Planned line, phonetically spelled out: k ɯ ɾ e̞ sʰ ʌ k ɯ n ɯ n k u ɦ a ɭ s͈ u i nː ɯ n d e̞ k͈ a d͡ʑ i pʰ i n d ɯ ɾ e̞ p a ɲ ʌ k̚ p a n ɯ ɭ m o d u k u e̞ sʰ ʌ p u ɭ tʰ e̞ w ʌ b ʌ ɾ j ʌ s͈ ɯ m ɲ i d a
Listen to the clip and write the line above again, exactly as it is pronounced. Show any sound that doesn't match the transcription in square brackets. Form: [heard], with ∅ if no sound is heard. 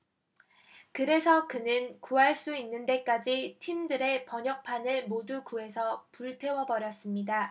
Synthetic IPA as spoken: k ɯ ɾ e̞ sʰ ʌ k ɯ n ɯ n k u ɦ a ɭ s͈ u i nː ɯ n d e̞ k͈ a d͡ʑ i [tʰ] i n d ɯ ɾ e̞ p [ʌ] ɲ ʌ k̚ [pʰ] a n ɯ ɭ m o d u k u e̞ sʰ ʌ p u ɭ tʰ e̞ w ʌ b ʌ ɾ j ʌ s͈ ɯ m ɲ i d a